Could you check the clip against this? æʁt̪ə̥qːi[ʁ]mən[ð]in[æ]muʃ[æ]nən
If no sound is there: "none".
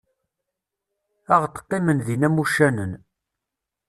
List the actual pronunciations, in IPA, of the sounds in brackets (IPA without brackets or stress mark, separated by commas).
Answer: none, ð, æ, æ